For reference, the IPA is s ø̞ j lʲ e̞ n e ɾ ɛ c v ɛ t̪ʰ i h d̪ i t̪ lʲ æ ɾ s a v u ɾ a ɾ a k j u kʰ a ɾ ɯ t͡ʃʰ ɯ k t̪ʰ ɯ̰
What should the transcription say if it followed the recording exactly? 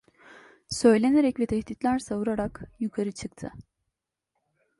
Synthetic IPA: s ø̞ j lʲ e̞ n e ɾ ɛ c v ɛ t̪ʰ ɛ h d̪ i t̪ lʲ æ ɾ s a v u ɾ a ɾ a k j u kʰ a ɾ ɯ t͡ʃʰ ɯ k t̪ʰ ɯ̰